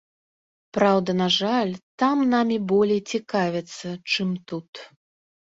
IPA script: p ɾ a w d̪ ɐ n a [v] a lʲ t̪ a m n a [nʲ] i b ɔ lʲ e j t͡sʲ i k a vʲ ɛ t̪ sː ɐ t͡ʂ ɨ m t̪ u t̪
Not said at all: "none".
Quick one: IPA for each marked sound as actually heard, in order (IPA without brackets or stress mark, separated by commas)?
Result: ʐ, mʲ